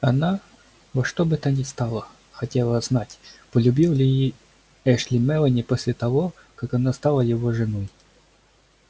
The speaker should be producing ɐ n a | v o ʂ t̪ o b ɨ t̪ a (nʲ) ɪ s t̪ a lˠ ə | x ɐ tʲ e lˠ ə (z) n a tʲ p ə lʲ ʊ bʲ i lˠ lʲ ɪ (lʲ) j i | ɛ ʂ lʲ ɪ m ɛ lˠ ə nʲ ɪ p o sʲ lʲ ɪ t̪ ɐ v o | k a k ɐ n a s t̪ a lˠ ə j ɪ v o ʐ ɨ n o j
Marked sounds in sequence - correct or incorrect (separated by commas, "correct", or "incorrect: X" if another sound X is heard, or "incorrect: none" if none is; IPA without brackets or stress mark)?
correct, correct, incorrect: none